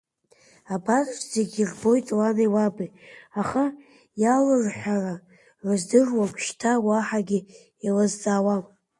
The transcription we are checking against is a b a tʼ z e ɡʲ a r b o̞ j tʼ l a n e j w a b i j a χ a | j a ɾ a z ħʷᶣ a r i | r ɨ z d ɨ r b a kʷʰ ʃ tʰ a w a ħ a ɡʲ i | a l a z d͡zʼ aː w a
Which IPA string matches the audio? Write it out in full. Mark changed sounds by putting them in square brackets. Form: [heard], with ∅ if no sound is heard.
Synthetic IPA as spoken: a b a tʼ z e ɡʲ [i] r b o̞ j tʼ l a n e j w a b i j a χ a | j a [l] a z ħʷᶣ a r [a] | r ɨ z d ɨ r [w] a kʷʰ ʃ tʰ a w a ħ a ɡʲ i | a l a z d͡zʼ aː w a